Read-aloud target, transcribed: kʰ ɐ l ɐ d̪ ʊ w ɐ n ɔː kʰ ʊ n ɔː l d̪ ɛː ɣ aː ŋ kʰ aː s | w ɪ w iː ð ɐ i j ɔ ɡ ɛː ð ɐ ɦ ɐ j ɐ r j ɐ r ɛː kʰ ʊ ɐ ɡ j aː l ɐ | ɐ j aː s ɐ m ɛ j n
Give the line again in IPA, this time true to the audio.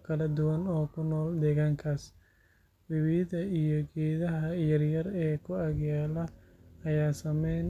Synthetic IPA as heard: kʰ ɐ l ɐ d̪ ʊ w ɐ n ɔː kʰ ʊ n ɔː l d̪ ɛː ɣ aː ŋ kʰ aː s | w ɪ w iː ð ɐ i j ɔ ɡ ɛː ð ɐ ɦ ɐ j ɐ r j ɐ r ɛː kʰ ʊ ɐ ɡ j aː l ɐ | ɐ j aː s ɐ m ɛ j n

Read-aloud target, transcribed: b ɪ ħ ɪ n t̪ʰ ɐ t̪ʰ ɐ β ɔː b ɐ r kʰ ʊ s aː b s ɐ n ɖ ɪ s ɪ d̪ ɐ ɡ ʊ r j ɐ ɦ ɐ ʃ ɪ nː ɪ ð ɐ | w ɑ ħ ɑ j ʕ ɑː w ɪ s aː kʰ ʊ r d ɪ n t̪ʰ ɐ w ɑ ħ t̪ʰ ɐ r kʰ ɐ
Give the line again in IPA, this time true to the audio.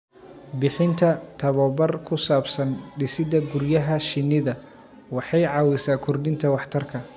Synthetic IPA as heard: b ɪ ħ ɪ n t̪ʰ ɐ t̪ʰ ɐ β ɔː b ɐ r kʰ ʊ s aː b s ɐ n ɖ ɪ s ɪ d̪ ɐ ɡ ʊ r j ɐ ɦ ɐ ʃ ɪ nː ɪ ð ɐ | w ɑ ħ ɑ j ʕ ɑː w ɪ s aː kʰ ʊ r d ɪ n t̪ʰ ɐ w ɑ ħ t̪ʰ ɐ r kʰ ɐ

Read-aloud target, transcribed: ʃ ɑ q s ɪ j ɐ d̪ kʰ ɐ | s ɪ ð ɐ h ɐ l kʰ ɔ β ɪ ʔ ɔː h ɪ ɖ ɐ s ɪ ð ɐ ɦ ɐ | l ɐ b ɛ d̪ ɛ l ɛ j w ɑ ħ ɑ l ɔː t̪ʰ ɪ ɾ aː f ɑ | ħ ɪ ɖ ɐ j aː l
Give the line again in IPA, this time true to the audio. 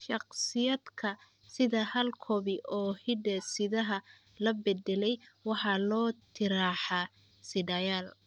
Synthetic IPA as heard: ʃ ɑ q s ɪ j ɐ d̪ kʰ ɐ | s ɪ ð ɐ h ɐ l kʰ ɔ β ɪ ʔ ɔː h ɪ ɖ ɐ s ɪ ð ɐ ɦ ɐ | l ɐ b ɛ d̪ ɛ l ɛ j w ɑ ħ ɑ l ɔː t̪ʰ ɪ ɾ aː ħ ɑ | s ɪ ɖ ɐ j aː l

